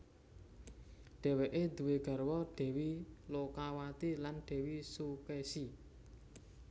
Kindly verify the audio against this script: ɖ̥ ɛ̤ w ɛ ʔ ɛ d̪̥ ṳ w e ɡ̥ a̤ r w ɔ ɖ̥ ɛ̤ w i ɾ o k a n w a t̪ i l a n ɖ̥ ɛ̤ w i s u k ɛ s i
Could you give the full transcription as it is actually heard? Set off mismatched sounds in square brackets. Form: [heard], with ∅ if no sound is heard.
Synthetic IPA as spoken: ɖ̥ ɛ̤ w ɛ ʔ [e] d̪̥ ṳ w e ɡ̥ a̤ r w ɔ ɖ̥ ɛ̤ w i [l] o k a [∅] w a t̪ i l a n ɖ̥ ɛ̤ w i s u k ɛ s i